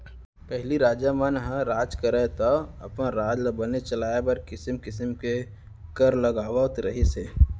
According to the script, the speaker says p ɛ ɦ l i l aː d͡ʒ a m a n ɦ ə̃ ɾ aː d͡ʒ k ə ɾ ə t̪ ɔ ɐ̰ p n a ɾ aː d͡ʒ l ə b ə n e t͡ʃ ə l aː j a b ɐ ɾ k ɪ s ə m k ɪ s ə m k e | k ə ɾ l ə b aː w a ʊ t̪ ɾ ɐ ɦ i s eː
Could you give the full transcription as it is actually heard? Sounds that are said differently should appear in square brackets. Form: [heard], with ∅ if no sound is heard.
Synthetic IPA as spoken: p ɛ ɦ l i [ɾ] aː d͡ʒ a m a n ɦ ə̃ ɾ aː d͡ʒ k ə ɾ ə t̪ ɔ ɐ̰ p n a ɾ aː d͡ʒ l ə b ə n e t͡ʃ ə l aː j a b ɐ ɾ k ɪ s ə m k ɪ s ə m k e | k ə ɾ l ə [ɡ] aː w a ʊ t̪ ɾ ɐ ɦ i s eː

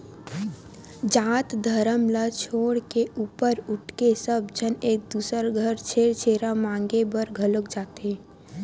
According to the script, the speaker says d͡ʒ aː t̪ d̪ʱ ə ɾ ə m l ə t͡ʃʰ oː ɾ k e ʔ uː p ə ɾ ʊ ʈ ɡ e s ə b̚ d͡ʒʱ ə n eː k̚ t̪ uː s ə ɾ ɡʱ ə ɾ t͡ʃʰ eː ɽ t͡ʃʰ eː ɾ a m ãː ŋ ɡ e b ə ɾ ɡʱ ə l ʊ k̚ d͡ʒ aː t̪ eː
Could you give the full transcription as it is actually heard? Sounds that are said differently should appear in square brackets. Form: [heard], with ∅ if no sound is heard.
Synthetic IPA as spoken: d͡ʒ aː t̪ d̪ʱ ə ɾ ə m l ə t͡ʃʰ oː [ɽ] k e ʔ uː p ə ɾ ʊ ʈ [k] e s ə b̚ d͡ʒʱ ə n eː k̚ [d̪] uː s ə ɾ ɡʱ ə ɾ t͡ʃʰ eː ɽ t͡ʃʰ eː ɾ a m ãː ŋ ɡ e b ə ɾ ɡʱ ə l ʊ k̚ d͡ʒ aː t̪ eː

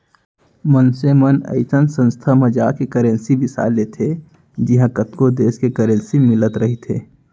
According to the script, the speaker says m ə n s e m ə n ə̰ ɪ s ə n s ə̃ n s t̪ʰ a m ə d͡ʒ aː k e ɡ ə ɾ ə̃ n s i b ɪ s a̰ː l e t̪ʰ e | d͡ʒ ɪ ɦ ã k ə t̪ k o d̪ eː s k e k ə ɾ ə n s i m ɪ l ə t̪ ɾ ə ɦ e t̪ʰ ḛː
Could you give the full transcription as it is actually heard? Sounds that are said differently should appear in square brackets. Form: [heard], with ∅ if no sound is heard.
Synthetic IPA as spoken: m ə n s e m ə n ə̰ ɪ s ə n s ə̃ n s t̪ʰ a m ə d͡ʒ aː k e [k] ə ɾ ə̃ n s i b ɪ s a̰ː l e t̪ʰ e | d͡ʒ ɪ ɦ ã k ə t̪ k o d̪ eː s k e k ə ɾ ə n s i m ɪ l ə t̪ ɾ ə ɦ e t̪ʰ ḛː

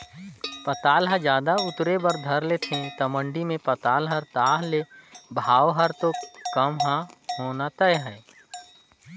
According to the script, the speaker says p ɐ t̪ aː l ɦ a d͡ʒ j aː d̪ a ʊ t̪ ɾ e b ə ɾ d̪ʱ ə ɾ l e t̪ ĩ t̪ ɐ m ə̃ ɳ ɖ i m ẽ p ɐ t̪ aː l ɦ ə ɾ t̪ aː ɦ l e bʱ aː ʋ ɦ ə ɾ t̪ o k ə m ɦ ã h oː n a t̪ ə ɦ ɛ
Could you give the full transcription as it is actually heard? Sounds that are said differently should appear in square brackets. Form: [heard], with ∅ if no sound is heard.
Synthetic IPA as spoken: p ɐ t̪ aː l ɦ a d͡ʒ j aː d̪ a ʊ t̪ ɾ e b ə ɾ d̪ʱ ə ɾ l e [t̪ʰ] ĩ t̪ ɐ m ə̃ ɳ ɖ i m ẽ p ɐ t̪ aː l ɦ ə ɾ t̪ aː ɦ l e bʱ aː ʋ ɦ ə ɾ t̪ o k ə m ɦ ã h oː n a t̪ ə ɦ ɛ

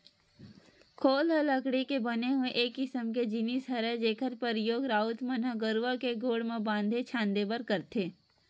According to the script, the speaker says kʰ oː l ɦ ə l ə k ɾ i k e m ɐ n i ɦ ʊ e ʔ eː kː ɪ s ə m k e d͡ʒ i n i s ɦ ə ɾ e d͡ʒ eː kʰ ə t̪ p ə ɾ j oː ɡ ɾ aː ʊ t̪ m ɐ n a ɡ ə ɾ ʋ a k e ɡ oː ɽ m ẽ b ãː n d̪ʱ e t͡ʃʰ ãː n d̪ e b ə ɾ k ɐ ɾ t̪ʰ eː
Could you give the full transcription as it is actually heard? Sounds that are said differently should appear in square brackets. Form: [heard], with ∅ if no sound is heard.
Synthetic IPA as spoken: kʰ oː l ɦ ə l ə k [ɽ] i k e [b] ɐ n [e] ɦ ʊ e ʔ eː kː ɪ s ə m k e d͡ʒ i n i s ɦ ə ɾ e d͡ʒ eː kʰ ə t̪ p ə ɾ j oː ɡ ɾ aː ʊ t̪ m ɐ n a ɡ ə ɾ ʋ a k e ɡ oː ɽ m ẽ b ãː n d̪ʱ e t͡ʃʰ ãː n d̪ e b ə ɾ k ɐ ɾ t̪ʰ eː

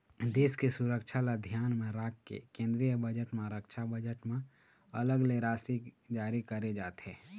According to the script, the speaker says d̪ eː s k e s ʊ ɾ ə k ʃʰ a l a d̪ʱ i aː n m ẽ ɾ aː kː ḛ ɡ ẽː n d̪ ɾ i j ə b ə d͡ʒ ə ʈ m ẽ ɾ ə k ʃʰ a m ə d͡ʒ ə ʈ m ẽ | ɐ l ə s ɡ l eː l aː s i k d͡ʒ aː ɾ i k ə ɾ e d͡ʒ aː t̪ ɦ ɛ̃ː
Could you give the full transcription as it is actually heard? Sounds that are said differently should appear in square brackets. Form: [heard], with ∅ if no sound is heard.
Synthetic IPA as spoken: d̪ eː s k e s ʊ ɾ ə k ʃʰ a l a d̪ʱ [j] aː n m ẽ ɾ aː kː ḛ [k] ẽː n d̪ ɾ i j ə b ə d͡ʒ ə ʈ m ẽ ɾ ə k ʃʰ a [b] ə d͡ʒ ə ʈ m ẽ | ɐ l ə [∅] ɡ l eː [ɾ] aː s i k d͡ʒ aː ɾ i k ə ɾ e d͡ʒ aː t̪ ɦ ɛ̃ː

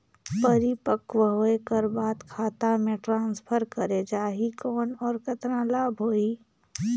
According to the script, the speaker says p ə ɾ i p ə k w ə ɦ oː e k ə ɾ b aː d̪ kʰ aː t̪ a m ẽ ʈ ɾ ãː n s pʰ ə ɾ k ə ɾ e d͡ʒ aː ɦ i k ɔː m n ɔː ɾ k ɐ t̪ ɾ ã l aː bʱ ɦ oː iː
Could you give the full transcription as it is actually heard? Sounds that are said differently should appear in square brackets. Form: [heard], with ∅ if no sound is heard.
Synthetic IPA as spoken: p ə ɾ i p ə k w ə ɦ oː e k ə ɾ b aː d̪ kʰ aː t̪ a m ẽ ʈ ɾ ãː n s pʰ ə ɾ k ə ɾ e d͡ʒ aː ɦ i k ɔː [∅] n ɔː ɾ k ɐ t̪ ɾ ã l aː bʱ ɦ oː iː

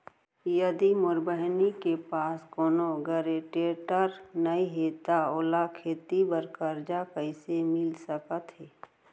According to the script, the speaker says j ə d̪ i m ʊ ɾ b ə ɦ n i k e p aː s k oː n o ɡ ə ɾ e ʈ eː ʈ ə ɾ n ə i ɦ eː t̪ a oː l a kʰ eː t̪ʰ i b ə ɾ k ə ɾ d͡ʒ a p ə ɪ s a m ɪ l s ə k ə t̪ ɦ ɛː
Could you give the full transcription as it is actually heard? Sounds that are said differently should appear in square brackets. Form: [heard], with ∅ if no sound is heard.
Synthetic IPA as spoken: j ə d̪ i m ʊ ɾ b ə ɦ n i k e p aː s k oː n o ɡ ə ɾ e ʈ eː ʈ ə ɾ n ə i ɦ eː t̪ a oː l a kʰ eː [t̪] i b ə ɾ k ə ɾ d͡ʒ a [k] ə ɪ s [e] m ɪ l s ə k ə t̪ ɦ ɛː

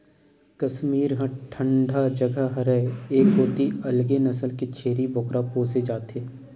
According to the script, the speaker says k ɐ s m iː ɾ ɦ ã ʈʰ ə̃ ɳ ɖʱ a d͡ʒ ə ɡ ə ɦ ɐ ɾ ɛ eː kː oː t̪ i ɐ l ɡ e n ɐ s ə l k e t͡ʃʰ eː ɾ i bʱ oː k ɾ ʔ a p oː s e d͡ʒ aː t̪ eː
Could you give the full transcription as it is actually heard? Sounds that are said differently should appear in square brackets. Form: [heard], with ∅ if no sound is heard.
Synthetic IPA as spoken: k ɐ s m iː ɾ ɦ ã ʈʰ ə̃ ɳ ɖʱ a d͡ʒ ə ɡ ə ɦ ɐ ɾ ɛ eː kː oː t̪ i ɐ l ɡ e n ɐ s ə l k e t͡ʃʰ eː ɾ i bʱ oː k ɾ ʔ a p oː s e d͡ʒ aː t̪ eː

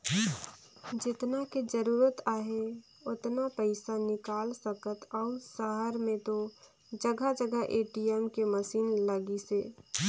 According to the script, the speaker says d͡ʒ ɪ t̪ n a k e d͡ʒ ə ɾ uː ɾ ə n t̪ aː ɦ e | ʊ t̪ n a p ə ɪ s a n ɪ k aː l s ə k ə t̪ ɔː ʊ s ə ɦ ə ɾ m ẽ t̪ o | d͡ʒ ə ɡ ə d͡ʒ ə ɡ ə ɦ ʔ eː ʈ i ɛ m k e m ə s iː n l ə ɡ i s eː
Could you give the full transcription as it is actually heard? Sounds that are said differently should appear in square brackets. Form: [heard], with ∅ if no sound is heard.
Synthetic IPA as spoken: d͡ʒ ɪ t̪ n a k e d͡ʒ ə ɾ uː ɾ ə [∅] t̪ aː ɦ e | ʊ t̪ n a p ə ɪ s a n ɪ k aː l s ə k ə t̪ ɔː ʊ s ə ɦ ə ɾ m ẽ t̪ o | d͡ʒ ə ɡ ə d͡ʒ ə ɡ ə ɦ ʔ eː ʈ i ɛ m k e m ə s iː n l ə ɡ i s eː

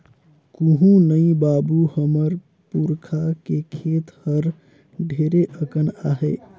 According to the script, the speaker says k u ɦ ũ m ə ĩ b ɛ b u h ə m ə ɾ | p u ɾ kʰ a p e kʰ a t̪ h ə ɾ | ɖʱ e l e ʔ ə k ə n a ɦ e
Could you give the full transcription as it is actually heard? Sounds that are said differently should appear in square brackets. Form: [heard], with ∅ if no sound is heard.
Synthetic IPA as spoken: k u ɦ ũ [n] ə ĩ b [a] b u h ə m ə ɾ | p u ɾ kʰ a [k] e kʰ [e] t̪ h ə ɾ | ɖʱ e [ɾ] e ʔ ə k ə n a ɦ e

